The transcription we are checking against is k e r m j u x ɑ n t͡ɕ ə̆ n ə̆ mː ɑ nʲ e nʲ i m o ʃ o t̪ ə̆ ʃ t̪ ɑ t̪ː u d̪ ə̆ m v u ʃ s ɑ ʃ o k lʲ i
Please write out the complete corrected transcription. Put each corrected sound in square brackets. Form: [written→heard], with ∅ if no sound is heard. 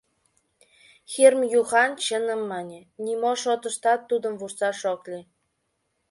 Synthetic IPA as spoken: [k→x] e r m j u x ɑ n t͡ɕ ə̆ n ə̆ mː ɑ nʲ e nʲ i m o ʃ o t̪ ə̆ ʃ t̪ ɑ t̪ː u d̪ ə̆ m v u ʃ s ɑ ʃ o k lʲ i

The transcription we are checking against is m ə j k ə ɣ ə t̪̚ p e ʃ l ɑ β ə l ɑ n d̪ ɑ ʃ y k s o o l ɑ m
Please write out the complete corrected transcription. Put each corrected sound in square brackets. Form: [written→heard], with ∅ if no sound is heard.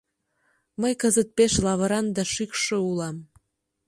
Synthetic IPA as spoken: m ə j k ə [ɣ→z] ə t̪̚ p e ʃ l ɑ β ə [l→ɾ] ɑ n d̪ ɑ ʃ y k [s→ʃ] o [o→u] l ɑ m

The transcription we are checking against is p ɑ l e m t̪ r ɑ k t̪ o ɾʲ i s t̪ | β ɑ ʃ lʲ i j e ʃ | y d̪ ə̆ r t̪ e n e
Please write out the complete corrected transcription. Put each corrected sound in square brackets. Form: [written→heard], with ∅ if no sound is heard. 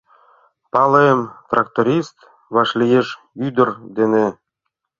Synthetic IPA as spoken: p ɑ l e m t̪ r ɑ k t̪ o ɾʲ i s t̪ | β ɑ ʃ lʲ i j e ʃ | y d̪ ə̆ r [t̪→d̪] e n e

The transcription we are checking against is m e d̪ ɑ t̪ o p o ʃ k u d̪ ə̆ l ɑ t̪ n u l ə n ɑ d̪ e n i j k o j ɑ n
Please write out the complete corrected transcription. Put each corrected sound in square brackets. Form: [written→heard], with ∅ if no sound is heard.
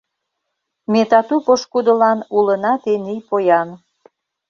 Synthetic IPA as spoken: m e [d̪→t̪] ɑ t̪ [o→u] p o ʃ k u d̪ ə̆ l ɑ [t̪→∅] n u l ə n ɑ [d̪→t̪] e n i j [k→p] o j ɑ n

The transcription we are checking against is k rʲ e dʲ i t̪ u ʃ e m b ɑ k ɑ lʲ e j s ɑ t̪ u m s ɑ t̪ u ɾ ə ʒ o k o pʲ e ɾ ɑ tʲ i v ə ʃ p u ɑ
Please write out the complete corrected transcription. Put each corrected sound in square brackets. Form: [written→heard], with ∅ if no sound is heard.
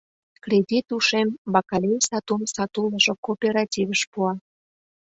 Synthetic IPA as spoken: k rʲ e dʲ i t̪ u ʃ e m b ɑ k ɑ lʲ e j s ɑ t̪ u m s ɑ t̪ u [ɾ→l] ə ʒ o k o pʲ e ɾ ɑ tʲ i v ə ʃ p u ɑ

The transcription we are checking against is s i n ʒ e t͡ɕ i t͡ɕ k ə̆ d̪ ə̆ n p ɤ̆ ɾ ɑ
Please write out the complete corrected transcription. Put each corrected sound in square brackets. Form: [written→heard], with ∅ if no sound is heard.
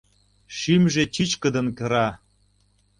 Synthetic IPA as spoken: [s→ʃ] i [n→m] ʒ e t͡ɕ i t͡ɕ k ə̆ d̪ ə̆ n [p→k] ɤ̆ ɾ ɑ

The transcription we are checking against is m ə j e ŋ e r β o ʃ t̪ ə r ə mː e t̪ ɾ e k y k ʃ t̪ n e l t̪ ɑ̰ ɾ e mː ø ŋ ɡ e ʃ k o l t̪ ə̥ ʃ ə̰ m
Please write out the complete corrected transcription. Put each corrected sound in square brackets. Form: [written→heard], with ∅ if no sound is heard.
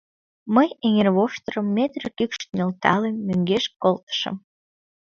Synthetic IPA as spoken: m ə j e ŋ e r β o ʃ t̪ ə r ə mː e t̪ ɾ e k y k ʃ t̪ n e l t̪ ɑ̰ [ɾ→l] e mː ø ŋ ɡ e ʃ k o l t̪ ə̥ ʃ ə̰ m

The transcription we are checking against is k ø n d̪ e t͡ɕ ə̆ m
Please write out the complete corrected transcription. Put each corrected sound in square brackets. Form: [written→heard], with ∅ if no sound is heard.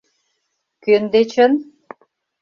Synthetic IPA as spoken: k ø n d̪ e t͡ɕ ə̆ [m→n]

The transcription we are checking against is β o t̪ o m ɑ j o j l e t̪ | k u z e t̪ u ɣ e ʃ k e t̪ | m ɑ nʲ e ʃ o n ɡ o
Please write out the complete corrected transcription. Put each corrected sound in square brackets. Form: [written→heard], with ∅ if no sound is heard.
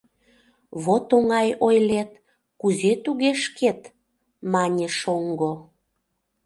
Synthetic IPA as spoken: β o t̪ o [m→ŋ] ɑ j o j l e t̪ | k u z e t̪ u ɣ e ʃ k e t̪ | m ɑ nʲ e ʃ o [n→ŋ] ɡ o

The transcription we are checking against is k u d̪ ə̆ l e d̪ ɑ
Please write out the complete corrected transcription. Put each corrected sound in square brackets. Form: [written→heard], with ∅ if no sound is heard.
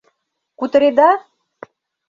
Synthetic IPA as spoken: k u [d̪→t̪] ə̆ [l→ɾ] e d̪ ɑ

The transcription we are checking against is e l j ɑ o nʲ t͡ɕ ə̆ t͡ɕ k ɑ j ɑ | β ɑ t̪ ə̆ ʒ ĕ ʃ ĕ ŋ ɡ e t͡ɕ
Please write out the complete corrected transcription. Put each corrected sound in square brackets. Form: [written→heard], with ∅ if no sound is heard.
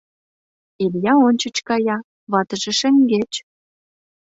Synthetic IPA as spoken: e l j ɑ o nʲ t͡ɕ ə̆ t͡ɕ k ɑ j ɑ | β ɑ t̪ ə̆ ʒ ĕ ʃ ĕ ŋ ɡ e t͡ɕ

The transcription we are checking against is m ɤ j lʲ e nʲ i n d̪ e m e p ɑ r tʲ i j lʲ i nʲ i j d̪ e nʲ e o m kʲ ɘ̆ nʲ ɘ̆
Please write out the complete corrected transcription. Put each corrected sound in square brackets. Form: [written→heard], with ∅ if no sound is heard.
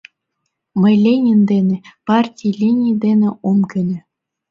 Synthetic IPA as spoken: m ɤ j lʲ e nʲ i n d̪ e [m→n] e p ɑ r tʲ i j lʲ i nʲ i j d̪ e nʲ e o m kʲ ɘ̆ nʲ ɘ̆

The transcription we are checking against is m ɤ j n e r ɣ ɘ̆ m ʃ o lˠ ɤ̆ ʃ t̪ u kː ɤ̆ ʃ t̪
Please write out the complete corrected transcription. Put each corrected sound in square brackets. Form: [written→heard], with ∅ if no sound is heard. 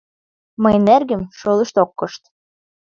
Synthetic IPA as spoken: m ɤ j n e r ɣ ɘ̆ m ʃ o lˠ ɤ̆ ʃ t̪ [u→o] kː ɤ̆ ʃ t̪

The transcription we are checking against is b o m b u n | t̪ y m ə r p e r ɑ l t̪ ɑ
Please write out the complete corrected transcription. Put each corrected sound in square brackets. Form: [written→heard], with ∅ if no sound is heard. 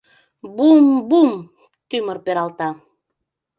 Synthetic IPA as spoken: b [o→u] m b u [n→m] | t̪ y m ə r p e [r→ɾ] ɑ l t̪ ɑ

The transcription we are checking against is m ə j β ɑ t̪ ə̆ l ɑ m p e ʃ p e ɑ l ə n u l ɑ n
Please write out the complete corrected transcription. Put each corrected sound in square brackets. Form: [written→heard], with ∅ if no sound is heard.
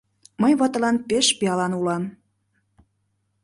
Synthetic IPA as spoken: m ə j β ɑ t̪ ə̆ l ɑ [m→n] p e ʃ p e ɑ l [ə→ɑ] n u l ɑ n

